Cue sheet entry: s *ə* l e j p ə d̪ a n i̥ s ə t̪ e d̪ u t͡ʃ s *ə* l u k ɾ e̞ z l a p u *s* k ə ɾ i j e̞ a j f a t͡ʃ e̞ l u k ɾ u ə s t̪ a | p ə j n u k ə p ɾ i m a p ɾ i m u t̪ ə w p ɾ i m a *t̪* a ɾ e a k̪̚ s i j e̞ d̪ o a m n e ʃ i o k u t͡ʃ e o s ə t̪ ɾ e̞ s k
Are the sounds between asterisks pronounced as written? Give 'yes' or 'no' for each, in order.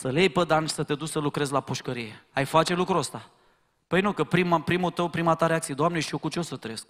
yes, yes, no, yes

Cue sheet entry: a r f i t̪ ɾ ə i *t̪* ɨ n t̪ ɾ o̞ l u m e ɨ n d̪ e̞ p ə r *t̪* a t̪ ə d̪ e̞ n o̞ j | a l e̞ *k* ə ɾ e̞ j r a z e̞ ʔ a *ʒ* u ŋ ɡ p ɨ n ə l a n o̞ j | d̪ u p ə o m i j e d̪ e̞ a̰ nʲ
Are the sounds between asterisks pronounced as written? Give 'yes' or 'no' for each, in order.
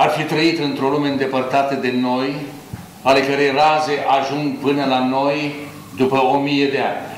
yes, yes, yes, yes

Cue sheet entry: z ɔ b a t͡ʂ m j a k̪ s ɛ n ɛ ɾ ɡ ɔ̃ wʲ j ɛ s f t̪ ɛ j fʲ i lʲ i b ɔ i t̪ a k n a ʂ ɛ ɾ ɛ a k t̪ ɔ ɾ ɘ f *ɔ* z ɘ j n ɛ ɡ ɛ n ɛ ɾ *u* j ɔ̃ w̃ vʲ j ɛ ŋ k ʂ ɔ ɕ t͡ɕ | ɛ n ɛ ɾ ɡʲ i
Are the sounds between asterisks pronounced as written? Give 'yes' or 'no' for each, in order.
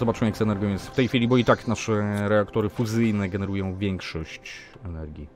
no, yes

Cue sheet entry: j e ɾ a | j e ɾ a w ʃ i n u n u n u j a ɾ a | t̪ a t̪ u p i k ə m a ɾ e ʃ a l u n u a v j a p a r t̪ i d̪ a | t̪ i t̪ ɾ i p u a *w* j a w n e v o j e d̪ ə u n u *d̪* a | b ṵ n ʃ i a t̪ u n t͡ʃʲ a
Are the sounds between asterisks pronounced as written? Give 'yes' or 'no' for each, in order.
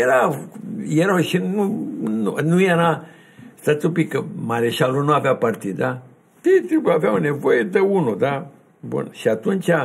no, yes

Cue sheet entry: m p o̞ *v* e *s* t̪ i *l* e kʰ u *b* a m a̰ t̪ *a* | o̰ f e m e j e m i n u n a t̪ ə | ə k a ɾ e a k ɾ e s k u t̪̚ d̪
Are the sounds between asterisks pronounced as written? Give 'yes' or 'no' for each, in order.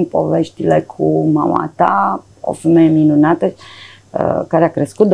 yes, no, yes, no, yes

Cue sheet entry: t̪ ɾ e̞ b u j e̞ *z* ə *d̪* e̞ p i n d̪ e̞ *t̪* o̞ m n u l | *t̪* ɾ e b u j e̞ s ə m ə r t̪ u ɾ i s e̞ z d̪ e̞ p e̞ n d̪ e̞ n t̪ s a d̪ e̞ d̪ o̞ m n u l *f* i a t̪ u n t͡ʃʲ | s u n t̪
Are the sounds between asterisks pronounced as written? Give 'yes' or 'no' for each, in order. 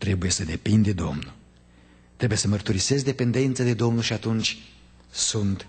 no, yes, no, yes, no

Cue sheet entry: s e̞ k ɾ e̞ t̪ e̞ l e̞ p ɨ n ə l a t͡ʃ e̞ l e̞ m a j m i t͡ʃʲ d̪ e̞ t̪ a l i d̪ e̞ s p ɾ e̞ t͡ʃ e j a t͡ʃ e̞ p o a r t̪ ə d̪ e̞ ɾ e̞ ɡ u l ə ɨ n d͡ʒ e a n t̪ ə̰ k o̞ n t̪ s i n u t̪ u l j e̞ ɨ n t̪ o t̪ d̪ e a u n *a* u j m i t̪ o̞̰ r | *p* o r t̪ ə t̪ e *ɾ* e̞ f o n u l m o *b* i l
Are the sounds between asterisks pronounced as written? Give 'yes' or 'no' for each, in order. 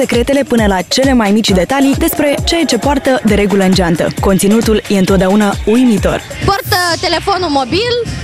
yes, yes, no, yes

